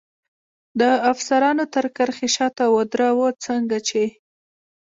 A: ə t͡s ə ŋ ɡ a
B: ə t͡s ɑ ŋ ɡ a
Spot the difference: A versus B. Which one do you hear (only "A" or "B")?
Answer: A